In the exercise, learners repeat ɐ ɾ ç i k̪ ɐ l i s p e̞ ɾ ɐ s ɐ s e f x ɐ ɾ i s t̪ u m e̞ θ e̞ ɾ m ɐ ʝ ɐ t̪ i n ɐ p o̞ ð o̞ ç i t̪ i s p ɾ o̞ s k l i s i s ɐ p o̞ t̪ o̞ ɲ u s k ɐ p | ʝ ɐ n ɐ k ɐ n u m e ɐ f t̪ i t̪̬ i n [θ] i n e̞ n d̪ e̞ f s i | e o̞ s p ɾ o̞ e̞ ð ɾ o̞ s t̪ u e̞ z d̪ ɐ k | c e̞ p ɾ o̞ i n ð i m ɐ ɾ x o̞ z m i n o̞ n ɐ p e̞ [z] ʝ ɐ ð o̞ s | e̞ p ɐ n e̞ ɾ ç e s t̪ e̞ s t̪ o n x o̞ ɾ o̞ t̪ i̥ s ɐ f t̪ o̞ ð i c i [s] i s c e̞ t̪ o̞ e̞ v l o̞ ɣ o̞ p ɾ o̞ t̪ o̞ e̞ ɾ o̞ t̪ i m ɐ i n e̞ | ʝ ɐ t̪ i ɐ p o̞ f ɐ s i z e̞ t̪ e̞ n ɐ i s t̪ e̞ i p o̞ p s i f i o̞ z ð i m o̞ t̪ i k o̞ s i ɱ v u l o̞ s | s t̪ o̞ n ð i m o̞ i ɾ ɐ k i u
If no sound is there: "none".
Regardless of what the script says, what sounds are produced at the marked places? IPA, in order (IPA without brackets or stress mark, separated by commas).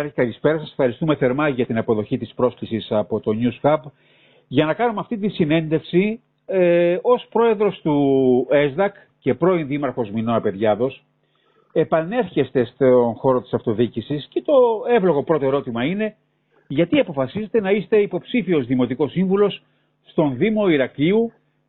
s, ð, s